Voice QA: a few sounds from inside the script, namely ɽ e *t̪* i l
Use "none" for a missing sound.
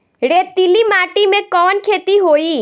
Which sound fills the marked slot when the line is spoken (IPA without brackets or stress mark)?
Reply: t̪